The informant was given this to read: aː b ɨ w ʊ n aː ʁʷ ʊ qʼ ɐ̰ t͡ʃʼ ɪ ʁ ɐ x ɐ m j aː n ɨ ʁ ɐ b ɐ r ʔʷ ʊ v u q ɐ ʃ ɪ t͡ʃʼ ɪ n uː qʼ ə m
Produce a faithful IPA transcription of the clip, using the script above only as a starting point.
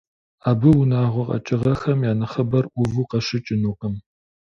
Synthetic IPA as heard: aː b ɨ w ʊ n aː ʁʷ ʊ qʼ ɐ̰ t͡ʃʼ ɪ ʁ ɐ x ɐ m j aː n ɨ χ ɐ b ɐ r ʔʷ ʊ v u q ɐ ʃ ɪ t͡ʃʼ ɪ n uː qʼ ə m